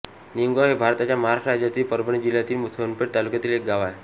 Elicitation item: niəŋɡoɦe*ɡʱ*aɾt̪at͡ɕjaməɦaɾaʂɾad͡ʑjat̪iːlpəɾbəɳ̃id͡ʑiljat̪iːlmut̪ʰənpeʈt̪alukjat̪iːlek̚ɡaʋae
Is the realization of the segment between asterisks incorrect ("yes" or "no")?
yes